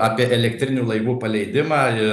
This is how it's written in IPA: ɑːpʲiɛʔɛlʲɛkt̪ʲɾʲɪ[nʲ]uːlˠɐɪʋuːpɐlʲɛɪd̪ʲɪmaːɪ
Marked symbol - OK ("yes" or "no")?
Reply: yes